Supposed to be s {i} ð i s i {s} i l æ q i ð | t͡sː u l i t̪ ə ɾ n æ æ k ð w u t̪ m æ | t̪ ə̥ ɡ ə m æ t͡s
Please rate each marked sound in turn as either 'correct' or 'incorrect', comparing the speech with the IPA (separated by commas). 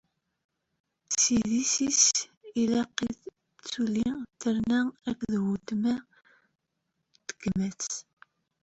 correct, correct